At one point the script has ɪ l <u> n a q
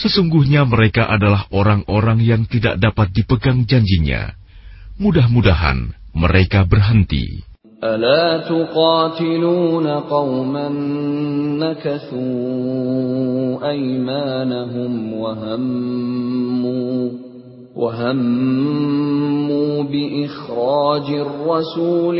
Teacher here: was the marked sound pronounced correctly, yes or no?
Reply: no